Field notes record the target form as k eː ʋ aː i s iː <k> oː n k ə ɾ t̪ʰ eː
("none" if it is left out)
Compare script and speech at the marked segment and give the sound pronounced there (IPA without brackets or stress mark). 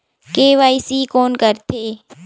k